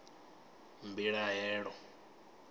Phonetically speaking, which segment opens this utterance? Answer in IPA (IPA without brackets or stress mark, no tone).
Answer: m